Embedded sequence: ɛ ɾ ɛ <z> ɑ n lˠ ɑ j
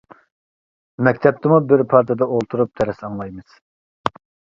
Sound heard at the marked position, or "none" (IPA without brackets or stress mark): s